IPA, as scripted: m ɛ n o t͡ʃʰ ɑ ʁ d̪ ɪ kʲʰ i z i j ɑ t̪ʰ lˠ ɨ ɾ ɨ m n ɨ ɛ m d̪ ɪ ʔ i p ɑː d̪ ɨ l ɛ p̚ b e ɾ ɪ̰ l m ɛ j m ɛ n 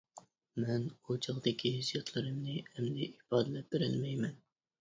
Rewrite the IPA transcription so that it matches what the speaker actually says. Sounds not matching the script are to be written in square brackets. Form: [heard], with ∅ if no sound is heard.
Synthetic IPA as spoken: m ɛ n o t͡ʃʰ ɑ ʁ d̪ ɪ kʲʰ i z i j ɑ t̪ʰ lˠ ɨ ɾ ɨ m n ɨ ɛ m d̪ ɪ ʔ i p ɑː d̪ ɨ l ɛ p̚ b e ɾ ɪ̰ l m ɛ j m ɛ n